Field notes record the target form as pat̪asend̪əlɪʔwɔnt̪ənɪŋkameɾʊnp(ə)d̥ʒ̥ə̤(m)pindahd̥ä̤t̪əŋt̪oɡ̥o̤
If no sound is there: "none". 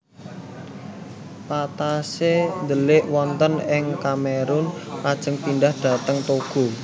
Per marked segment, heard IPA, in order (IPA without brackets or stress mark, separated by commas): a, ŋ